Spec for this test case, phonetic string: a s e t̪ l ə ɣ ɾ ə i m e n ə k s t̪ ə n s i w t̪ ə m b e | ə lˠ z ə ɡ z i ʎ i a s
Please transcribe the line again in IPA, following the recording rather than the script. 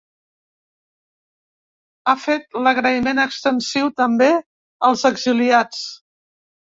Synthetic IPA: a f e t̪ l ə ɣ ɾ ə i m e n ə k s t̪ ə n s i w t̪ ə m b e | ə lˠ z ə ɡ z i l i a t͡s